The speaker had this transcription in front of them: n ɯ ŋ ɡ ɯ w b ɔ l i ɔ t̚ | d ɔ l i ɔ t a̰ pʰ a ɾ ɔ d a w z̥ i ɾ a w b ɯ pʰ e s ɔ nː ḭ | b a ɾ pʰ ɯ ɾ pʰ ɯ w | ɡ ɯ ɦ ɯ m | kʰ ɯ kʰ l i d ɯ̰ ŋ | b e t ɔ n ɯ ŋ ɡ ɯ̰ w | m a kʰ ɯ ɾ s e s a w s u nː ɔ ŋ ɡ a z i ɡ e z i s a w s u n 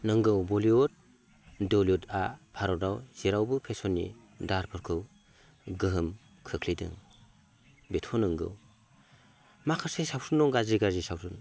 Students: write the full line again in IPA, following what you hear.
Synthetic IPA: n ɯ ŋ ɡ ɯ w b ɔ l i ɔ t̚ | d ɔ l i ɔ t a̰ pʰ a ɾ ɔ d a w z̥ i ɾ a w b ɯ pʰ e s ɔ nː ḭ | d a ɾ pʰ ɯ ɾ kʰ ɯ w | ɡ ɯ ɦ ɯ m | kʰ ɯ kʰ l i d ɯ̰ ŋ | b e tʰ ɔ n ɯ ŋ ɡ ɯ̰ w | m a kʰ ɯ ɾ s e s a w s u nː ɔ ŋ ɡ a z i ɡ a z i s a w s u n